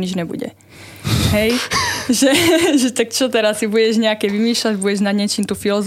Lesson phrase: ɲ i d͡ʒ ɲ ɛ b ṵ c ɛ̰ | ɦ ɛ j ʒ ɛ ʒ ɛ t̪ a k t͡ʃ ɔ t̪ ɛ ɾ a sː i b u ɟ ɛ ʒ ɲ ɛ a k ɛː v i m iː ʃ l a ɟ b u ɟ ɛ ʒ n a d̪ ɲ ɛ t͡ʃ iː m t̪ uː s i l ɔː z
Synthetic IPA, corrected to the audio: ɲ i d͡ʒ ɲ ɛ b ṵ ɟ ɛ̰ | ɦ ɛ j ʒ ɛ ʒ ɛ t̪ a k t͡ʃ ɔ t̪ ɛ ɾ a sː i b u ɟ ɛ ʒ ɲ ɛ a k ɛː ʋ i m iː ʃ l a ɟ b u ɟ ɛ ʒ n a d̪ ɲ ɛ t͡ʃ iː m t̪ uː f i l ɔ z